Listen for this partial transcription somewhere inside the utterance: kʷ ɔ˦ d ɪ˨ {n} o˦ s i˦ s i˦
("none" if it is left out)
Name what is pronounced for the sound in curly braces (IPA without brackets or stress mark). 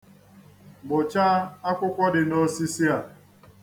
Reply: n